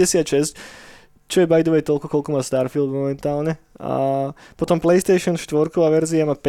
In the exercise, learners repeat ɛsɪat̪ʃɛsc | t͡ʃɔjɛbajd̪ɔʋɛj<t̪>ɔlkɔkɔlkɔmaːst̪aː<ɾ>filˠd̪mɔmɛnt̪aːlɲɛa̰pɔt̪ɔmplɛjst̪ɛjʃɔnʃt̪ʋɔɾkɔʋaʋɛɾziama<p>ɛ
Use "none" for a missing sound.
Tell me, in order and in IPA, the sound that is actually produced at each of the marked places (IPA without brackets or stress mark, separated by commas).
t̪, ɾ, p